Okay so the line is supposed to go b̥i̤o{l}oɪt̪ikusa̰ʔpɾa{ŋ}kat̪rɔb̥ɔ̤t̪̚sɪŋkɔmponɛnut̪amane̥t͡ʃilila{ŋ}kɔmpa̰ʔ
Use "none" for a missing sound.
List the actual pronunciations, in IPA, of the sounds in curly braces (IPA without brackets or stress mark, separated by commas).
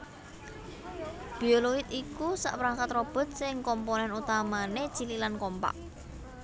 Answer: l, ŋ, n